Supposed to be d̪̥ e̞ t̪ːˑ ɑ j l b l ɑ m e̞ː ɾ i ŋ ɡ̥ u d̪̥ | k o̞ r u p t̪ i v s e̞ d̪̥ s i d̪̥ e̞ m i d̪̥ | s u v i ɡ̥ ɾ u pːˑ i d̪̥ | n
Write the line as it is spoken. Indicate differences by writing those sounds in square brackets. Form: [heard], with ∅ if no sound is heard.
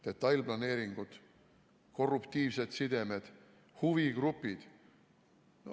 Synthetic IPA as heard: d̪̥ e̞ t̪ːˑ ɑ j l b l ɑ [n] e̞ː ɾ i ŋ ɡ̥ u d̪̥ | k o̞ r u p t̪ [iː] v s e̞ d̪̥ s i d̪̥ e̞ m [e] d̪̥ | [h] u v i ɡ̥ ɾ u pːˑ i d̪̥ | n